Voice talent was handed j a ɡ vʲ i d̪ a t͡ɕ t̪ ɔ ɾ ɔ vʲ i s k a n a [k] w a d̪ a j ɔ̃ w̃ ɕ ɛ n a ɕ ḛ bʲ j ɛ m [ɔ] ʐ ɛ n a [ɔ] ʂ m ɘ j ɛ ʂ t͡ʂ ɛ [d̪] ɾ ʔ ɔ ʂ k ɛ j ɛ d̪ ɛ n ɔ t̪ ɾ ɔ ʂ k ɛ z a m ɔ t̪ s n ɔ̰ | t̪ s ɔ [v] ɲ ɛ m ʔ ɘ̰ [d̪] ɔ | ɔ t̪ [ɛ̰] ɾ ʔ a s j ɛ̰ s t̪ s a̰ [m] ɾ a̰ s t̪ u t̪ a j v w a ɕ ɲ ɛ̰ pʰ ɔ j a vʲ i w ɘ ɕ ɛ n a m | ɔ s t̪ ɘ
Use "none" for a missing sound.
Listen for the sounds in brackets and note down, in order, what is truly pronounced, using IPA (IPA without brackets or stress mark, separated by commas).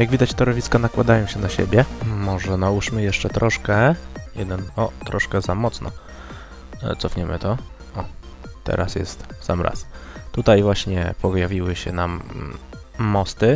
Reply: k, ɔ, u, t̪, f, t̪, ɛ̰, m